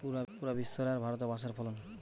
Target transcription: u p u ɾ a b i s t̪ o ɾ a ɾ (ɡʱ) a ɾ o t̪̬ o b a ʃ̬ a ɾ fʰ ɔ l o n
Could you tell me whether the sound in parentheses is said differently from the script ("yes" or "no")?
yes